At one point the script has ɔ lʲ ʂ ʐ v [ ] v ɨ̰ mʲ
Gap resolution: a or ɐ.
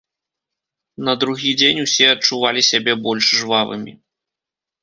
a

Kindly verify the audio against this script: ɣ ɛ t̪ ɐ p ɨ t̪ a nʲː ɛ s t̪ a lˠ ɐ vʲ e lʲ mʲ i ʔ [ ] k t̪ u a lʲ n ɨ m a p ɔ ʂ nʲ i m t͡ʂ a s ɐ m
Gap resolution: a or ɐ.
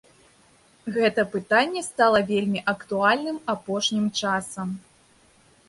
ɐ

